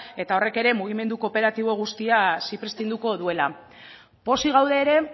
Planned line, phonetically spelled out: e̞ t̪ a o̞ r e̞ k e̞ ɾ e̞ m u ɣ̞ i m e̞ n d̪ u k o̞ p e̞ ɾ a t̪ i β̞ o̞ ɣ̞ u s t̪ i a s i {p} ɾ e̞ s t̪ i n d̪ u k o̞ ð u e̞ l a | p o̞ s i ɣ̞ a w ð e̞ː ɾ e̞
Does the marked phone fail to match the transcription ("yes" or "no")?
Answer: no